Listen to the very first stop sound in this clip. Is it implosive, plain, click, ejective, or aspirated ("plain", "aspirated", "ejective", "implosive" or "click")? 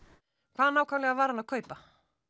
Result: aspirated